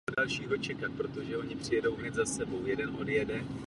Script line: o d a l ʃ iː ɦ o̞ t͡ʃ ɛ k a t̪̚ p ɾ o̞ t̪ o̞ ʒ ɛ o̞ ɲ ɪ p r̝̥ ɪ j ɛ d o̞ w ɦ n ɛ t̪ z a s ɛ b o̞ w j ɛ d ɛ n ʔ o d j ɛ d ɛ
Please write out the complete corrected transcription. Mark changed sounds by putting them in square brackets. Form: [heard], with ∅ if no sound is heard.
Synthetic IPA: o d a l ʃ iː ɦ o̞ t͡ʃ ɛ k a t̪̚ p ɾ o̞ t̪ o̞ ʒ ɛ o̞ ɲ ɪ p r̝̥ ɪ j ɛ d o̞ w ɦ n ɛ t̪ z a s ɛ b o̞ w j ɛ d ɛ n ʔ o d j ɛ d ɛ

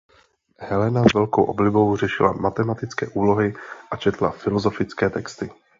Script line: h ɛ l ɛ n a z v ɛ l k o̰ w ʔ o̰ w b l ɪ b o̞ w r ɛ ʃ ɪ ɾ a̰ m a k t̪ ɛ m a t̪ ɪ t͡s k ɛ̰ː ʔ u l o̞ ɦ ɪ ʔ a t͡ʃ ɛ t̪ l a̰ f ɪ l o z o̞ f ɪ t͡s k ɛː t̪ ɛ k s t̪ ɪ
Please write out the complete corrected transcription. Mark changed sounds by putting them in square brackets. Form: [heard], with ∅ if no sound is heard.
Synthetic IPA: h ɛ l ɛ n a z v ɛ l k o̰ w ʔ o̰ [∅] b l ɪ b o̞ w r ɛ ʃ ɪ [l] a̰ m a [∅] t̪ ɛ m a t̪ ɪ t͡s k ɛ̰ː ʔ [uː] l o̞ ɦ ɪ ʔ a t͡ʃ ɛ t̪ l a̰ f ɪ l o z o̞ f ɪ t͡s k ɛː t̪ ɛ k s t̪ ɪ

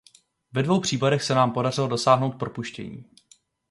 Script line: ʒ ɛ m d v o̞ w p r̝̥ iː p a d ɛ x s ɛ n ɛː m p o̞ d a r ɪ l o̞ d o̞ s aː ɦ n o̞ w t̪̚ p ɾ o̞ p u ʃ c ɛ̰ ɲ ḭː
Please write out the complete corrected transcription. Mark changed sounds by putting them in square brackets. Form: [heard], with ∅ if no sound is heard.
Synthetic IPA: [v] ɛ [∅] d v o̞ w p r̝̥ iː p a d ɛ x s ɛ n [aː] m p o̞ d a r ɪ l o̞ d o̞ s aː ɦ n o̞ w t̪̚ p ɾ o̞ p u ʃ c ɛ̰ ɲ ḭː

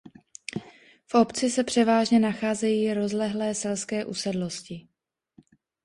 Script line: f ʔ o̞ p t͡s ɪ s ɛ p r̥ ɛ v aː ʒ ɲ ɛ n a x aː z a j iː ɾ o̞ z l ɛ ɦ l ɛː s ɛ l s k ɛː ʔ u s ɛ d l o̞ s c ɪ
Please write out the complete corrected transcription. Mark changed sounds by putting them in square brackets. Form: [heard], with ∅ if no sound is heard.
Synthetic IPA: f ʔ o̞ p t͡s ɪ s ɛ p r̥ ɛ v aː ʒ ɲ ɛ n a x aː z [ɛ] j iː ɾ o̞ z l ɛ ɦ l ɛː s ɛ l s k ɛː ʔ u s ɛ d l o̞ s c ɪ

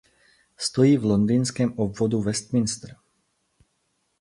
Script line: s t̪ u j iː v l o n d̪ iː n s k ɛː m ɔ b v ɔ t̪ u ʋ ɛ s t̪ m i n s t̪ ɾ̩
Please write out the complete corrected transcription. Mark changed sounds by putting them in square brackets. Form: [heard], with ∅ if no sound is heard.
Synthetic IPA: s t̪ [ɔ] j iː v l [ɔ] n d̪ iː n s k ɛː m ɔ b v ɔ [d̪] u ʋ ɛ s t̪ m i n s t̪ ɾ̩

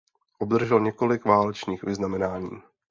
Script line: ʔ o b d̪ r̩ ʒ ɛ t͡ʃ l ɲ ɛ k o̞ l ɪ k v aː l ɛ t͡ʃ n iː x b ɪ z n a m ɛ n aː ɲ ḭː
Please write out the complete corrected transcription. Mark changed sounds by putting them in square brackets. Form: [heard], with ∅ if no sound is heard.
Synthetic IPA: ʔ o b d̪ r̩ ʒ ɛ [∅] l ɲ ɛ k o̞ l ɪ k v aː l ɛ t͡ʃ n iː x [v] ɪ z n a m ɛ n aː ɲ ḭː

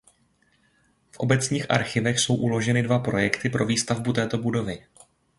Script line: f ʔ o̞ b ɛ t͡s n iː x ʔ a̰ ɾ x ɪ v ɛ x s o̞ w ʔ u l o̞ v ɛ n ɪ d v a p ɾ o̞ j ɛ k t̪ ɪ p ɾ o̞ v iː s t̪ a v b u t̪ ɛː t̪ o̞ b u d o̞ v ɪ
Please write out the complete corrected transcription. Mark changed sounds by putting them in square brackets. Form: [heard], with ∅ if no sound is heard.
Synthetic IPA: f ʔ o̞ b ɛ t͡s [ɲ] iː x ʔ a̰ ɾ x ɪ v ɛ x s o̞ w ʔ u l o̞ [ʒ] ɛ n ɪ d v a p ɾ o̞ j ɛ k t̪ ɪ p ɾ o̞ v iː s t̪ a v b u t̪ ɛː t̪ o̞ b u d o̞ v ɪ

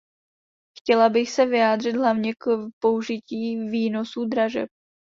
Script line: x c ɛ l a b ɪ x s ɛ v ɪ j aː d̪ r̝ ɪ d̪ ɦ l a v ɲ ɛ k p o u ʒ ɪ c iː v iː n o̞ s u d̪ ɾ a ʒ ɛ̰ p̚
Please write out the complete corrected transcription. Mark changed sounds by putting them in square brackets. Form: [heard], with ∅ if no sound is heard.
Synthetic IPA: x c ɛ l a b ɪ x s ɛ v ɪ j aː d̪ r̝ ɪ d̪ ɦ l a v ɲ ɛ k p o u ʒ ɪ c iː v iː n o̞ s u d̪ ɾ a ʒ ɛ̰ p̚

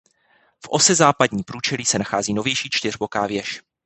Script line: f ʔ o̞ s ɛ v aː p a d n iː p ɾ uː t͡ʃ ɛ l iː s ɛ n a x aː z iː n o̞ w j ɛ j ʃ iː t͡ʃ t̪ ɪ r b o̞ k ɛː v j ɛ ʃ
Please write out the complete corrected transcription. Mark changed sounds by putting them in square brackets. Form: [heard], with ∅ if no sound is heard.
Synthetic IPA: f ʔ o̞ s ɛ [z] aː p a d [ɲ] iː p ɾ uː t͡ʃ ɛ l iː s ɛ n a x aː z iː n o̞ [v] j ɛ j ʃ iː t͡ʃ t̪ ɪ r b o̞ k [aː] v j ɛ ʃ

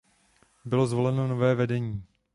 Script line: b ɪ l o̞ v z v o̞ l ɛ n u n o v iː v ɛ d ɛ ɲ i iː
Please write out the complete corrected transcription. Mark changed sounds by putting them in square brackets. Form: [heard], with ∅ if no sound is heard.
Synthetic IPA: b ɪ l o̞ [∅] z v o̞ l ɛ n [o] n o v [ɛː] v ɛ d ɛ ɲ i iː

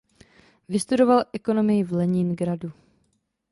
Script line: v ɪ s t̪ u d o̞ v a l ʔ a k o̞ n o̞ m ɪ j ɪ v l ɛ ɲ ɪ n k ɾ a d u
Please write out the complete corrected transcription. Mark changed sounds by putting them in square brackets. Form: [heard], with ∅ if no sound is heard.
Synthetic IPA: v ɪ s t̪ u d o̞ v a l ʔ [ɛ] k o̞ n o̞ m ɪ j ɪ v l ɛ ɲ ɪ n [ɡ] ɾ a d u

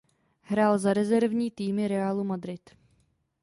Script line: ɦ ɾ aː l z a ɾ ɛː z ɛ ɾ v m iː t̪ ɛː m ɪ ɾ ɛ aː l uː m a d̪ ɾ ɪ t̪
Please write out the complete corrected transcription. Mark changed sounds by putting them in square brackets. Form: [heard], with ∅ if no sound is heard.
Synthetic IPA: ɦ ɾ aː l z a ɾ [ɛ] z ɛ ɾ v [ɲ] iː t̪ [iː] m ɪ ɾ ɛ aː l [u] m a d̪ ɾ ɪ t̪

